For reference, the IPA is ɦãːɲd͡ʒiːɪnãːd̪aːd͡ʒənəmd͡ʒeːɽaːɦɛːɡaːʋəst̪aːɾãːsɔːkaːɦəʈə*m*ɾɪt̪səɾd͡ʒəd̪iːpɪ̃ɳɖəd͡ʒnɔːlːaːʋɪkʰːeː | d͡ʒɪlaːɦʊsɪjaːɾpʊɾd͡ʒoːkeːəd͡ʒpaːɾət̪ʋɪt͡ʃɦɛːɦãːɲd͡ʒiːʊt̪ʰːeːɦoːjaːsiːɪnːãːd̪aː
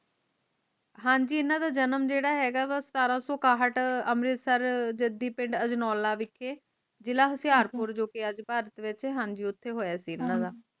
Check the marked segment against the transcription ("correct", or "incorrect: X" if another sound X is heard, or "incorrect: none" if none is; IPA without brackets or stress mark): correct